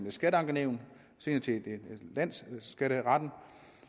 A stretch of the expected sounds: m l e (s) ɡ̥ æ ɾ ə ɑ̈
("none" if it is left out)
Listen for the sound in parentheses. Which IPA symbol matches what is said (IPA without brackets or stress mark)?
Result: s